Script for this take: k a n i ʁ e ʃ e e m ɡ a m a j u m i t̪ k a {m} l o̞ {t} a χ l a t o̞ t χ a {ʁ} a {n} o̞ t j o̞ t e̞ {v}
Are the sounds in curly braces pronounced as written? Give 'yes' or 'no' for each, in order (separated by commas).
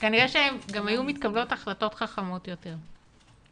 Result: no, yes, no, no, no